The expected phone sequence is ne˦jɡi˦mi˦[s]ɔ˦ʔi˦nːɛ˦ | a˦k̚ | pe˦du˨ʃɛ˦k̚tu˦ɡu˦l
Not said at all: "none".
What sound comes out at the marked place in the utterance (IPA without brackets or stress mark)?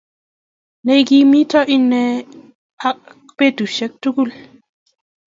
t